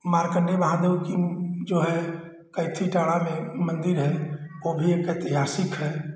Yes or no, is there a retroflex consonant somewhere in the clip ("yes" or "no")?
yes